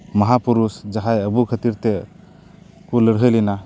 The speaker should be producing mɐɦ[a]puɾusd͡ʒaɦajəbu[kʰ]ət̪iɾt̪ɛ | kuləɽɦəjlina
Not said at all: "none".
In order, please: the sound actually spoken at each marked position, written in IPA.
a, kʰ

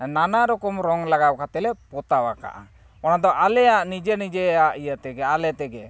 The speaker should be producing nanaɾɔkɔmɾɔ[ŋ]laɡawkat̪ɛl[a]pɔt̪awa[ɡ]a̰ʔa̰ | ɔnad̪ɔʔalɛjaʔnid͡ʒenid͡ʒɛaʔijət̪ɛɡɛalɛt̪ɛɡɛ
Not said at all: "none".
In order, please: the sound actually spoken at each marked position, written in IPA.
ŋ, ɛ, k

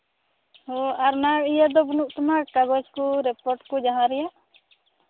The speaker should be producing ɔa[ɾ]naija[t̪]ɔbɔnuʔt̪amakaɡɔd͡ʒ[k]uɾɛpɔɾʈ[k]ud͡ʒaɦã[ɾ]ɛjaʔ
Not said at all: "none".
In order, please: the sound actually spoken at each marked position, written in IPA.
ɾ, d̪, k, k, ɾ

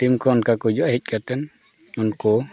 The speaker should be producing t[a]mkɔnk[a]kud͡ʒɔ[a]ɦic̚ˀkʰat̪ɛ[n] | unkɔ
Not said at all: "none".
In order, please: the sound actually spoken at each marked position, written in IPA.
i, a, a, n

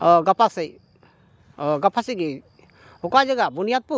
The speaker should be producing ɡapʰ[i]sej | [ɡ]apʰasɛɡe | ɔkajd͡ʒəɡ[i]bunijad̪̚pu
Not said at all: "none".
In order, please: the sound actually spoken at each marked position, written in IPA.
a, ɡ, a

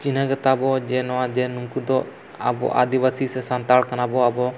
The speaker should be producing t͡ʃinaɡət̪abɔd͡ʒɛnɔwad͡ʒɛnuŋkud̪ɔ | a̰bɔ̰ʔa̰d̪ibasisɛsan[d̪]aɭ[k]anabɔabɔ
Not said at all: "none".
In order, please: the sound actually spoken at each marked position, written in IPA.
t̪, k

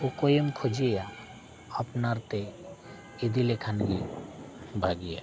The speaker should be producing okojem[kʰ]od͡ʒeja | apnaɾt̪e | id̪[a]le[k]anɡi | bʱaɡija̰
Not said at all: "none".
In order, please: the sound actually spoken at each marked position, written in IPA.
kʰ, i, kʰ

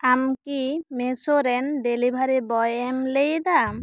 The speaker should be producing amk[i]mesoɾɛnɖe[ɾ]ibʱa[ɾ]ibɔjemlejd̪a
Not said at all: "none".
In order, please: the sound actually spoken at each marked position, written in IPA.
i, l, ɾ

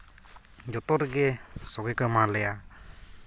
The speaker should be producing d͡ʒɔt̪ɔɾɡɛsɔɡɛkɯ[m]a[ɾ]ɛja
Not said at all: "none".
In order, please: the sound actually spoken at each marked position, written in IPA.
m, l

